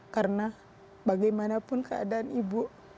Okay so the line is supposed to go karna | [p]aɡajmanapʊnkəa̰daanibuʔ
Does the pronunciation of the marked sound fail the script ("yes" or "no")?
yes